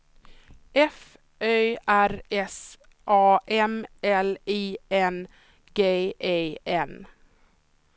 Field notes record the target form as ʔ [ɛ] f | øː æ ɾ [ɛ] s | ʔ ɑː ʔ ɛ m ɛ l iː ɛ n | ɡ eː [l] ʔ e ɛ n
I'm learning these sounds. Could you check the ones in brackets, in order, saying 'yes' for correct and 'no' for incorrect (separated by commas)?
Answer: yes, yes, no